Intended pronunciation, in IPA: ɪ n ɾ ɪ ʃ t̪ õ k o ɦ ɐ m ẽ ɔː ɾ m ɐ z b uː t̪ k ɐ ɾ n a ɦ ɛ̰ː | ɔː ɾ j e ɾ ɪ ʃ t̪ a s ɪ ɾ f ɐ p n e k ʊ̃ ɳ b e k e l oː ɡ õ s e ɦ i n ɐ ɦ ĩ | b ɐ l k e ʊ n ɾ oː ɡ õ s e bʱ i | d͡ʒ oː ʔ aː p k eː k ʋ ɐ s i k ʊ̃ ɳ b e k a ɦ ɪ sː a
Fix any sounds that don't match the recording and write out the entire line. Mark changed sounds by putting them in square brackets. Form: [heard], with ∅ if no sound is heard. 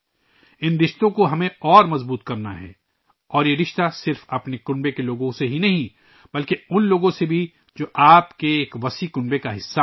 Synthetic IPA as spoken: ɪ n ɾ ɪ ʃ t̪ õ k o ɦ ɐ m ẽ ɔː ɾ m ɐ z b uː t̪ k ɐ ɾ n a ɦ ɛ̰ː | ɔː ɾ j e ɾ ɪ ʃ t̪ a s ɪ ɾ f ɐ p n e k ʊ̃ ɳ b e k e l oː ɡ õ s e ɦ i n ɐ ɦ ĩ | b ɐ l k e ʊ n [l] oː ɡ õ s e bʱ i | d͡ʒ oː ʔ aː p k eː k ʋ ɐ s i k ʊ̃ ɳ b e k a ɦ ɪ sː a